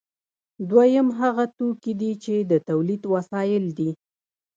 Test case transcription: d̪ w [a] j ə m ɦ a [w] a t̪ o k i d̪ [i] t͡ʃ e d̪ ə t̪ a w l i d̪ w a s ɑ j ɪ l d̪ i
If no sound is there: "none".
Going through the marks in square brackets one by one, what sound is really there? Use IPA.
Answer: a, ɣ, i

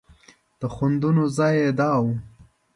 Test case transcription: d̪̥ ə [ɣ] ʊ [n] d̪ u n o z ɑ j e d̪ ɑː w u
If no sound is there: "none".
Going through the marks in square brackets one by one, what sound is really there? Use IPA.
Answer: x, n

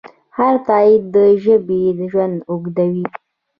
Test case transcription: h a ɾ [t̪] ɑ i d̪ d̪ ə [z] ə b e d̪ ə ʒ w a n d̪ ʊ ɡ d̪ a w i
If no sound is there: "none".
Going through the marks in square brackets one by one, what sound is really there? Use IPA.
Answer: t̪, ʒ

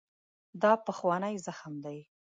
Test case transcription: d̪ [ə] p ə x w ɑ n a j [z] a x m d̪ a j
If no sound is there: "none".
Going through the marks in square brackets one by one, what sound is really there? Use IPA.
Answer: ɑ, z

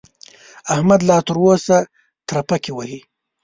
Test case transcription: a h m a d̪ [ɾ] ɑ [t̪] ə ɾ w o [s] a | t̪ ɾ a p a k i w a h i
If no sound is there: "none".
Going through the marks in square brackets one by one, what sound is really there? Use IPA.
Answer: l, t̪, s

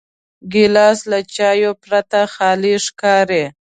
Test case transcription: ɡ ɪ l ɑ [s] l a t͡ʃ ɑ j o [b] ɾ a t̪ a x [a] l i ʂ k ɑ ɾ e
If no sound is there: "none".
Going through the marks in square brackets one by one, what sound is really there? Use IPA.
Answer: s, p, ɑ

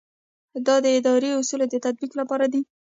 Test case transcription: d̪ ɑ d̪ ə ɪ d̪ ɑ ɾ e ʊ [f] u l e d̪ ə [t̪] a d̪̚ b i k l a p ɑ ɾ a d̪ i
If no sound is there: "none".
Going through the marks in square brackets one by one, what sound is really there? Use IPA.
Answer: s, t̪

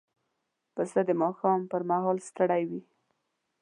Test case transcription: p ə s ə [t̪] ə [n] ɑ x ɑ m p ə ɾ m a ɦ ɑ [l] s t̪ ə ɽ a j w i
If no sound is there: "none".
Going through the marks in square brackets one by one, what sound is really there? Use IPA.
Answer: d̪, m, l

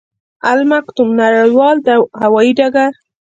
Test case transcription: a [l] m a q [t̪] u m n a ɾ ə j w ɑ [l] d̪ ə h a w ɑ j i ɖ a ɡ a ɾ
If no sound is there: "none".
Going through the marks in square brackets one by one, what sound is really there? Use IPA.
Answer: l, t̪, l

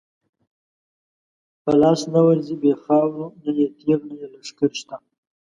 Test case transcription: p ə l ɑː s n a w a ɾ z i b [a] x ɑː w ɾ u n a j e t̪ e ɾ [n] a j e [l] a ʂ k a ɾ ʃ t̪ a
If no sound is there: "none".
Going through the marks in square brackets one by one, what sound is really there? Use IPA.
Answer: e, n, l

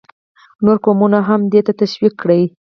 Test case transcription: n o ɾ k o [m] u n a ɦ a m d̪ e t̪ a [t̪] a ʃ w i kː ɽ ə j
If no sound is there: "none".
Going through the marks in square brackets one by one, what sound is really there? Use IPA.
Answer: m, t̪

